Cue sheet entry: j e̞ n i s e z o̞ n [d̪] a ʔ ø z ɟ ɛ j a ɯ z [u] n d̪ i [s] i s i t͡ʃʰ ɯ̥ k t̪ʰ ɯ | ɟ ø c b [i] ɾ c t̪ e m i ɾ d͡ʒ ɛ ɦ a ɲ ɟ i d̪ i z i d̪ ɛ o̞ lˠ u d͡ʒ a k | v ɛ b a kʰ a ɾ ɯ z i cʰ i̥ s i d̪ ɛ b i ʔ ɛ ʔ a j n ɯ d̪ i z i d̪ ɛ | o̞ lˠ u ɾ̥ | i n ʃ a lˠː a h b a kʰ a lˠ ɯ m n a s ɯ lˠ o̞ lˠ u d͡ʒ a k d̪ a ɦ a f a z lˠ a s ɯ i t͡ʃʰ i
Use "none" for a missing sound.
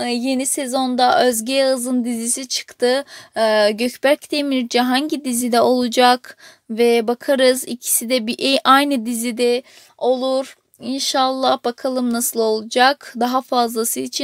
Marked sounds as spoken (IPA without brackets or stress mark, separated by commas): d̪, ɯ, z, æ